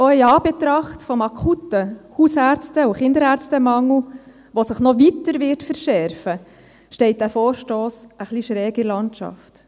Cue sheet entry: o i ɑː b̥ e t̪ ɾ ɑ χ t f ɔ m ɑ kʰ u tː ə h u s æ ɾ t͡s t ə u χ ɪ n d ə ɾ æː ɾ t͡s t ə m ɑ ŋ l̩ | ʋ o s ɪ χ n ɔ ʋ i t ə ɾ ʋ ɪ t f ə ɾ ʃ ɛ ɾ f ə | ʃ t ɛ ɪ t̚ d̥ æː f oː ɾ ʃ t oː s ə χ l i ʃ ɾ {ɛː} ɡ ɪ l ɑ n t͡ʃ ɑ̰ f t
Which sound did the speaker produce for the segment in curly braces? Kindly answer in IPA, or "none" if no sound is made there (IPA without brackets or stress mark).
ɛː